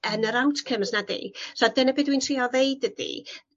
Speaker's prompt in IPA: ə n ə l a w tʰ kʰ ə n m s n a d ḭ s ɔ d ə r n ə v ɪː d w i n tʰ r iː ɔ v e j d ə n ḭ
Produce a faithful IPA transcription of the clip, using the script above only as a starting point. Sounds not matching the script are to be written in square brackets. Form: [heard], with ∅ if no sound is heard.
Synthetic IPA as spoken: ə n ə [ɾ] a w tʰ kʰ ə [∅] m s n a d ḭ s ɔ d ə [∅] n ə [b] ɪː d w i n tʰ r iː ɔ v e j d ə [d] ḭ